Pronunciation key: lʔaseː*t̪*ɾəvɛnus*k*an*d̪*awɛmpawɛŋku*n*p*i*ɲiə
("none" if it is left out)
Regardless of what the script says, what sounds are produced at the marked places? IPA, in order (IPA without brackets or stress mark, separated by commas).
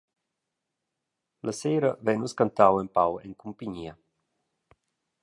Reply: none, k, t̪, m, i